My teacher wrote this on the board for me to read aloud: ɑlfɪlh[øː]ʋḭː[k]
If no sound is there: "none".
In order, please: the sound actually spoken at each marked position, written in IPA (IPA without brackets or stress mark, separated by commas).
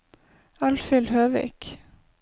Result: øː, k